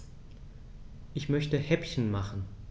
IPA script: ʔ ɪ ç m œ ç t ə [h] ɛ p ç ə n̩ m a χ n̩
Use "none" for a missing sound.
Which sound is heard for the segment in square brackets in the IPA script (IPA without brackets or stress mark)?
h